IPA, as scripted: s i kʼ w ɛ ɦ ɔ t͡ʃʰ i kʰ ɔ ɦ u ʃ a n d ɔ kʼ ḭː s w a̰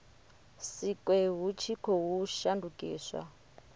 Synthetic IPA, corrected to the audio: s i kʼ w ɛ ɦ u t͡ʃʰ i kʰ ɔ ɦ u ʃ a n d u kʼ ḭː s w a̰